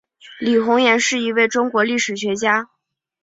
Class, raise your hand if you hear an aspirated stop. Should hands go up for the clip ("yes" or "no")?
no